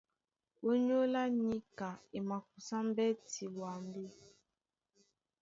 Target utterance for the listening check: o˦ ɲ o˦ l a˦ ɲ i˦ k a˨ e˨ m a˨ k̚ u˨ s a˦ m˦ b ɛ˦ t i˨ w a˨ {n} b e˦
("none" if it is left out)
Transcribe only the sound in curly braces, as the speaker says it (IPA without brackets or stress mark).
m